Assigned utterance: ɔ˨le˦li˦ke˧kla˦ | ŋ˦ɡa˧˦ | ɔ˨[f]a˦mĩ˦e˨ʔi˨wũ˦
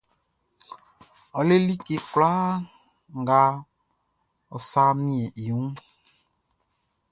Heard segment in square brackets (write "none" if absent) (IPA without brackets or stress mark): s